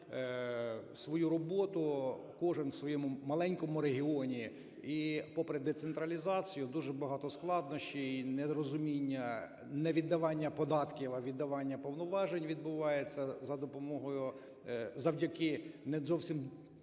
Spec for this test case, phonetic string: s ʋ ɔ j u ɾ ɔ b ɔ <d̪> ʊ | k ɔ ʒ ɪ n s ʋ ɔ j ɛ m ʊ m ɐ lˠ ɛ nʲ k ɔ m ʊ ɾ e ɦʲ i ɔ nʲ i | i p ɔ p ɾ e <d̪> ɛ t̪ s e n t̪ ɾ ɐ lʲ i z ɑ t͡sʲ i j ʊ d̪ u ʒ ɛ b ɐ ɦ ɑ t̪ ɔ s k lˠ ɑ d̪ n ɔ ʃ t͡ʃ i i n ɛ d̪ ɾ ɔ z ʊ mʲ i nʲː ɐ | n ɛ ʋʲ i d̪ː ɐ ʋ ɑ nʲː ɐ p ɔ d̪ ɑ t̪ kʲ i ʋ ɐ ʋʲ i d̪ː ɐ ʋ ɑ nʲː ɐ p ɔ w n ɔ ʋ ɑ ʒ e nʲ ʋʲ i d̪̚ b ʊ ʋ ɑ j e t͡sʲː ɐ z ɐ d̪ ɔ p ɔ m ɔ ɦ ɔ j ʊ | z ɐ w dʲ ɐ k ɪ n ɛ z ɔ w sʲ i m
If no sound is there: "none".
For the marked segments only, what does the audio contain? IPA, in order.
t̪, d̪

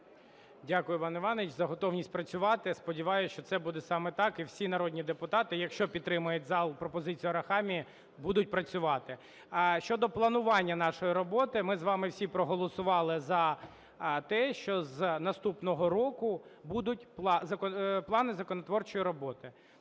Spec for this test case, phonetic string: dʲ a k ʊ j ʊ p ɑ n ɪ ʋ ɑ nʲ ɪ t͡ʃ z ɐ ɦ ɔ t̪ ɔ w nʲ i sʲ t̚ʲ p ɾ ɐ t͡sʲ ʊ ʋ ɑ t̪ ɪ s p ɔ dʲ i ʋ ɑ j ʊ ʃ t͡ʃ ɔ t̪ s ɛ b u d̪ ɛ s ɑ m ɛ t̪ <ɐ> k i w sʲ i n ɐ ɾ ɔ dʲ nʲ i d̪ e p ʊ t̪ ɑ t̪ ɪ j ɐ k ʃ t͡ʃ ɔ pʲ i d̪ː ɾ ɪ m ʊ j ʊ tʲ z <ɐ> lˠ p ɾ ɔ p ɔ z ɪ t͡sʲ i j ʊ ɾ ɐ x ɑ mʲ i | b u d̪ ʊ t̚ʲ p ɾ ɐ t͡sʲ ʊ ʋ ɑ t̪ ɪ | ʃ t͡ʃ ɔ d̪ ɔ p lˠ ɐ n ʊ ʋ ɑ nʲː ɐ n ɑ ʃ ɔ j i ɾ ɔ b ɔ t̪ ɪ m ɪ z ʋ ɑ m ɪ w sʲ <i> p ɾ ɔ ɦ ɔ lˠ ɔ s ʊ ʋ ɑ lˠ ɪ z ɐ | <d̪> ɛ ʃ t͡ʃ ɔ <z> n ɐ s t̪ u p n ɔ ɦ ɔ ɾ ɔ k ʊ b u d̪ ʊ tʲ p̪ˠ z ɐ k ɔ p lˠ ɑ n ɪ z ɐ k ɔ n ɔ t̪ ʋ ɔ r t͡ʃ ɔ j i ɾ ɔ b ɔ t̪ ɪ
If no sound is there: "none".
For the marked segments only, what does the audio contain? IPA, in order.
ɑ, ɑ, i, t̪, z

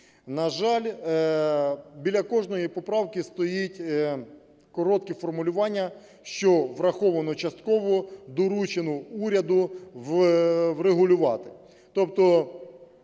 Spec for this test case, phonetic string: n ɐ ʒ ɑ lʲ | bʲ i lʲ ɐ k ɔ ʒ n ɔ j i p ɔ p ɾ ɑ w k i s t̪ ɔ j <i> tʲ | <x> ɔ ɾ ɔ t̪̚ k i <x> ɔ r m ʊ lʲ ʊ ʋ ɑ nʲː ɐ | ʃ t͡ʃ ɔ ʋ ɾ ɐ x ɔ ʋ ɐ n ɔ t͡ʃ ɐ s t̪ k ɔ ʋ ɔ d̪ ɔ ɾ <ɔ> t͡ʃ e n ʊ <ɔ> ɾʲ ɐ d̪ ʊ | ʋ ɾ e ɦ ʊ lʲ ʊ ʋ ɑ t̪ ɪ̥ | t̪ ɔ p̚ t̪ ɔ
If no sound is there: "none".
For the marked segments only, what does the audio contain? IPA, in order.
i, k, f, u, u

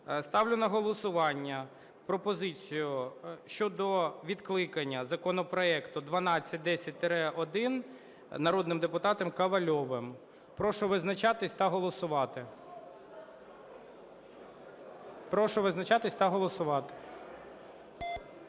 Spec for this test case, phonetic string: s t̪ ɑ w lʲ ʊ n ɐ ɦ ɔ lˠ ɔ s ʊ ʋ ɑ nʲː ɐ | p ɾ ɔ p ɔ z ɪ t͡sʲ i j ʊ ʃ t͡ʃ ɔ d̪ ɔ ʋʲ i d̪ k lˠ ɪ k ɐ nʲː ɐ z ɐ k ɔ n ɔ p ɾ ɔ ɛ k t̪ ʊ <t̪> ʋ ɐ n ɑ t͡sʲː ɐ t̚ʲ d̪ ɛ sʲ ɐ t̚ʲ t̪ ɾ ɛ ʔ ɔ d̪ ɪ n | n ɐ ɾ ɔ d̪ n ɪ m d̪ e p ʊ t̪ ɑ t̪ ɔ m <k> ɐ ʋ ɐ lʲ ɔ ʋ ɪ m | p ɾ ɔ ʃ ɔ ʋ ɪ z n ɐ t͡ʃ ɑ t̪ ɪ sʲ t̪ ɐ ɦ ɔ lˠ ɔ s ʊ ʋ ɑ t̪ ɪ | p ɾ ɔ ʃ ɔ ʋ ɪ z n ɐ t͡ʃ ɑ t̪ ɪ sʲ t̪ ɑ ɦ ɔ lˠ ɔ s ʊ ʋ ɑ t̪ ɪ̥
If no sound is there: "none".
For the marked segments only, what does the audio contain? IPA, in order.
d̪, k

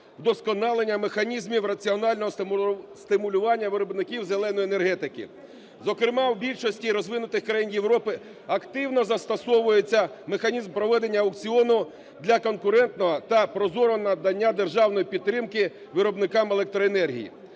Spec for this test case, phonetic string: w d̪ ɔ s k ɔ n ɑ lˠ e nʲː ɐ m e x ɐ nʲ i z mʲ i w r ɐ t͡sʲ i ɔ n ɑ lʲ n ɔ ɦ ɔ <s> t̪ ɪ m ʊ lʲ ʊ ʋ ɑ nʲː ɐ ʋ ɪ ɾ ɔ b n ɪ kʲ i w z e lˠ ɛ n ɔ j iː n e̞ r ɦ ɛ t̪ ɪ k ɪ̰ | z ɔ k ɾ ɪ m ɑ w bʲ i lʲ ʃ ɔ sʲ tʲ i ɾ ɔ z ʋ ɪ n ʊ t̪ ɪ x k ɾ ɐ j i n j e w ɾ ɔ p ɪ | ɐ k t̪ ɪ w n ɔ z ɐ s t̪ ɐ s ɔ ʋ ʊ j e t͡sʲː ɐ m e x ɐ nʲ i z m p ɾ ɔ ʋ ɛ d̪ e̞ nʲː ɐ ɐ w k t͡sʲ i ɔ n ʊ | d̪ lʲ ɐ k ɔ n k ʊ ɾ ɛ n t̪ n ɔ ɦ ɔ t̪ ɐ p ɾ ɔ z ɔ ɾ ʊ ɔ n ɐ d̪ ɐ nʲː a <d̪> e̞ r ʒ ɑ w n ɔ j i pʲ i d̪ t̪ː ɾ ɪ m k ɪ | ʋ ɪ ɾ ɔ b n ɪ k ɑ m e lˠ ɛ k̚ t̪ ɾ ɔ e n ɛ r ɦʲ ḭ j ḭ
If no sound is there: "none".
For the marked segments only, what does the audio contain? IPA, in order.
s, d̪

